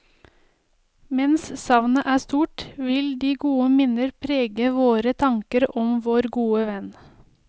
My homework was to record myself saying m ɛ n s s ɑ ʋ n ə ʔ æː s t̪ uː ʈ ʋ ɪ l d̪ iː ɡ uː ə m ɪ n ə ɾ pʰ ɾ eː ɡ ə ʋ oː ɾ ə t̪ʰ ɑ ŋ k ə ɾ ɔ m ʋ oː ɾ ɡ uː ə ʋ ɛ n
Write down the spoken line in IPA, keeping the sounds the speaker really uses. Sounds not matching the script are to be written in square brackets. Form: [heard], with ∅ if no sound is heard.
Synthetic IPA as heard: m ɛ n s s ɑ ʋ n ə ʔ æː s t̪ uː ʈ ʋ ɪ l d̪ iː ɡ uː ə m ɪ n ə ɾ pʰ ɾ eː ɡ ə ʋ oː ɾ ə t̪ʰ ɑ ŋ k ə ɾ ɔ m ʋ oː ɾ ɡ uː ə ʋ ɛ n